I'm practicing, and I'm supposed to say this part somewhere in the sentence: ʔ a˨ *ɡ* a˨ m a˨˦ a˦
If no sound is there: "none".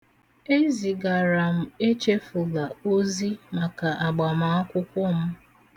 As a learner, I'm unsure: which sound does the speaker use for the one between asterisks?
ɡ͡b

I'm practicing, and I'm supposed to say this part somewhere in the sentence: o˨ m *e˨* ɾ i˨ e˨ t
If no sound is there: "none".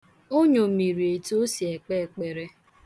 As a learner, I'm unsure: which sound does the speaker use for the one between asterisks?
i˨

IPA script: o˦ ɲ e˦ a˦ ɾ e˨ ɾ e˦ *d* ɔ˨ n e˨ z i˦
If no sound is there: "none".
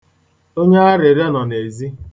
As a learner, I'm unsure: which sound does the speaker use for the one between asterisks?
n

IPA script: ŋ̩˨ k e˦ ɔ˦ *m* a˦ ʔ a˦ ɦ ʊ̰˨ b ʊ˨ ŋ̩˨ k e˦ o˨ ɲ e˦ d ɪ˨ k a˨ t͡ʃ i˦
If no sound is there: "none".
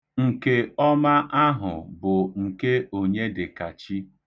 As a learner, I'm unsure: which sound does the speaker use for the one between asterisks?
m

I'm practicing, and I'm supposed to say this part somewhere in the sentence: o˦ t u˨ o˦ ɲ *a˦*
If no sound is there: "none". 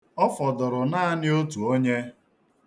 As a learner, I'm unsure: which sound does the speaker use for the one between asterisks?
e˦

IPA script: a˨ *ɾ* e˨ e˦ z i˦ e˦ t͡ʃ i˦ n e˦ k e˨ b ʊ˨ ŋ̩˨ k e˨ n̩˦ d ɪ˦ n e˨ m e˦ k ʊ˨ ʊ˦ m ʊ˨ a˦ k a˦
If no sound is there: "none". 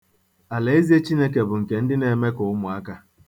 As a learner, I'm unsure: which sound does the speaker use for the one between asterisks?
l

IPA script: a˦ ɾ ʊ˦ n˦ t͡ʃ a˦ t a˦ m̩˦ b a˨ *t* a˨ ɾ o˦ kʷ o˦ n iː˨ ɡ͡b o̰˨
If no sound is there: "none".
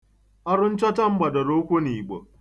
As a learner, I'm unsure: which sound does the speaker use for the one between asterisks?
d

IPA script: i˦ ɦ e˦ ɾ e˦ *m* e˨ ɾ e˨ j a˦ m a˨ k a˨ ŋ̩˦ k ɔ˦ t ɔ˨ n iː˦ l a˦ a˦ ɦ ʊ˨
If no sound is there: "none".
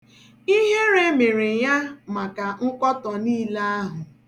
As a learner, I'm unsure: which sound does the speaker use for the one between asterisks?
m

